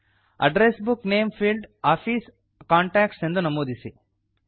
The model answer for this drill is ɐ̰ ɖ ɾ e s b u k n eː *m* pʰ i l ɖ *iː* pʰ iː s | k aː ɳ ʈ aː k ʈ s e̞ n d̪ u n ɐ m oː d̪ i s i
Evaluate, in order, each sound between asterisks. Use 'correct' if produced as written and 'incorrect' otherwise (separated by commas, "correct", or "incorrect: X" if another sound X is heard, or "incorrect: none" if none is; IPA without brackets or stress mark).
correct, incorrect: aː